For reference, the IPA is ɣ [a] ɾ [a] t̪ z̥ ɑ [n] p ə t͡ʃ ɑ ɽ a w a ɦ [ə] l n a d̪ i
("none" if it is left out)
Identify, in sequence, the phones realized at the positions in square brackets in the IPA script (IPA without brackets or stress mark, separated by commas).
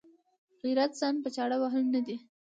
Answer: i, a, n, ə